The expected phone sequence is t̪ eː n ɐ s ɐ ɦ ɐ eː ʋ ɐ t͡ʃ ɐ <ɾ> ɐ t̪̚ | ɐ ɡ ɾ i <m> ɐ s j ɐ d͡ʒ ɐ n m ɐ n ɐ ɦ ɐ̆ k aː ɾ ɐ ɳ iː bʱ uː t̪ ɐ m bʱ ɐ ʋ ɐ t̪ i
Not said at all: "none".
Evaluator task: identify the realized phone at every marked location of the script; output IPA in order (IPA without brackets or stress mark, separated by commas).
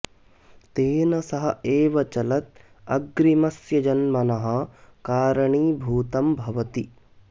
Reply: l, m